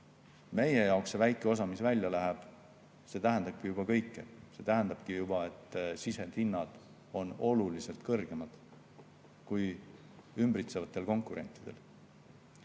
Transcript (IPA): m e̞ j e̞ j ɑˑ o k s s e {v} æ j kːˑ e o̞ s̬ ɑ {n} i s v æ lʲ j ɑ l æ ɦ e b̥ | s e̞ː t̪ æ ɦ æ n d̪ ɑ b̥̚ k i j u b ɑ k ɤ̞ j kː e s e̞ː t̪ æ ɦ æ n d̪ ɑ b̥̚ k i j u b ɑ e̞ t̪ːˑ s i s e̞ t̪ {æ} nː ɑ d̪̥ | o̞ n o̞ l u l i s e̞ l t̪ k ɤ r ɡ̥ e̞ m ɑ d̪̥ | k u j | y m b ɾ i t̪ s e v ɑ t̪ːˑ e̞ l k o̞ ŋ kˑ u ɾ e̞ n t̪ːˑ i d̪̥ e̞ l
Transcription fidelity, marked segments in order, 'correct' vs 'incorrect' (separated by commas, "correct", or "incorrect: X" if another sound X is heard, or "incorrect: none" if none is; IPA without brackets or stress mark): correct, incorrect: m, incorrect: i